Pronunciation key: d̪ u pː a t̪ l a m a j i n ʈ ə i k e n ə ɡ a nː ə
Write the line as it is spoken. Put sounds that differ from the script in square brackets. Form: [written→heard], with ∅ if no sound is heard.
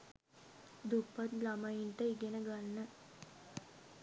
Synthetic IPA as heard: d̪ u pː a t̪ l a m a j i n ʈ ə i [k→ɡ] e n ə ɡ a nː ə